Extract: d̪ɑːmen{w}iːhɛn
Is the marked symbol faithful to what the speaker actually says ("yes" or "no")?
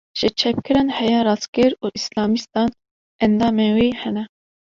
yes